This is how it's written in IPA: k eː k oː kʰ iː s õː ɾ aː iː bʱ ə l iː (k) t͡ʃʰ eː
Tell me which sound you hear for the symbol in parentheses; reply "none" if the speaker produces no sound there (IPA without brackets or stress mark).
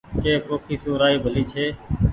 none